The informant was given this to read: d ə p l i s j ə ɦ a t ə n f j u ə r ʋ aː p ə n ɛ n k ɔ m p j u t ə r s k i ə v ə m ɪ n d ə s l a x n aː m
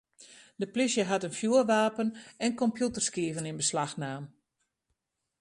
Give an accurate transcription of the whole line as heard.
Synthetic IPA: d ə p l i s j ə ɦ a t ə n f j u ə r ʋ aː p ə n ɛ n k ɔ m p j u t ə r s k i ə v ə n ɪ n b ə s l a x n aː m

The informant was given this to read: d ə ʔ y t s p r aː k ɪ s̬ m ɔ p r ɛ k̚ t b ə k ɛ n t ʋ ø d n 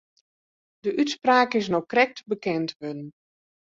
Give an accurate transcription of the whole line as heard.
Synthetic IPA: d ə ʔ y t s p r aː k ɪ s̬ n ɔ k r ɛ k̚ t b ə k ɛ n t ʋ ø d n

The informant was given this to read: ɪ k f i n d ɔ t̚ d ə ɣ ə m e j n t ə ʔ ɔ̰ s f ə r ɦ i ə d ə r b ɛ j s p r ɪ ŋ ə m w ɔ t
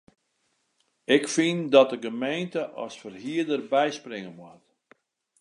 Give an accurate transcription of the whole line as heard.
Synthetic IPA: ɪ k f i n d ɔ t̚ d ə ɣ ə m e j n t ə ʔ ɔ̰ s f ə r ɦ i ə d ə r b ɛ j s p r ɪ ŋ ə m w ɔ t

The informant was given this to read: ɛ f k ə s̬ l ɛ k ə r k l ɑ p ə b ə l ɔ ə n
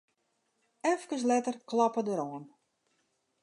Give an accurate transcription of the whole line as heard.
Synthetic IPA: ɛ f k ə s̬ l ɛ t ə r k l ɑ p ə d ə ɾ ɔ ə n

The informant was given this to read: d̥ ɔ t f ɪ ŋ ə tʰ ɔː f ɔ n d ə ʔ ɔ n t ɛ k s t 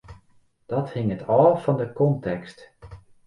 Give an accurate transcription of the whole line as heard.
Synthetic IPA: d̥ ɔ t h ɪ ŋ ə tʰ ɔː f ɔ n d ə k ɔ n t ɛ k s t

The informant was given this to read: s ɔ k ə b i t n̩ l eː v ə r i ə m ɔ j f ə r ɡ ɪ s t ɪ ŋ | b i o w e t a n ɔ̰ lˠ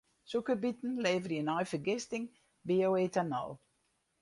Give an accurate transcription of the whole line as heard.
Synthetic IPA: s u k ə b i t n̩ l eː v ə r j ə n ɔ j f ə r ɡ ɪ s t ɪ ŋ | b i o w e t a n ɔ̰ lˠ

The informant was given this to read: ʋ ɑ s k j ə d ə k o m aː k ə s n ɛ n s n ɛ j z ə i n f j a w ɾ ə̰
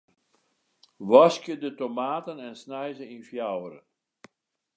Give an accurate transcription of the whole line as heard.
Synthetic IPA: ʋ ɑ s k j ə d ə t o m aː t ə n ɛ n s n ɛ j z ə i n f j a w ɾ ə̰

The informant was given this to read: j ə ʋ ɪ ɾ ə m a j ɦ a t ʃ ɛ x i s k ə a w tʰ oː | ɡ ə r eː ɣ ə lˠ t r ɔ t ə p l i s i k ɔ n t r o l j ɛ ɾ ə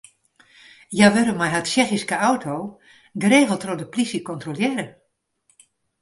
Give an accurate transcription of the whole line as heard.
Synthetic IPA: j a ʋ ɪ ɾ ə m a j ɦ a t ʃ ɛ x i s k ə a w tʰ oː | ɡ ə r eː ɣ ə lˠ t r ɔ d ə p l i s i k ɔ n t r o l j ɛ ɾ ə

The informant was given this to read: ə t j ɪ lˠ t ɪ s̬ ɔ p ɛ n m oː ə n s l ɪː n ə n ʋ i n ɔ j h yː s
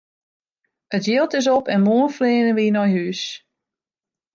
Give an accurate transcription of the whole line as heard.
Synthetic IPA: ə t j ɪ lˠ t ɪ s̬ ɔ p ɛ n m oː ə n f l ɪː n ə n ʋ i n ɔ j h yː s

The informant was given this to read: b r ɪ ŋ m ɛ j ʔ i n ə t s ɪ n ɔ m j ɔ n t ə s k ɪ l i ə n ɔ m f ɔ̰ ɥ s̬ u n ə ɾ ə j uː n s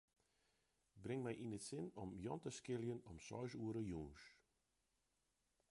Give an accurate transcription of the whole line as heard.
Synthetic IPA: b r ɪ ŋ m ɛ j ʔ i n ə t s ɪ n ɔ m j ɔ n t ə s k ɪ l j ə n ɔ m s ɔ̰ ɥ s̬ u ə ɾ ə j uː n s

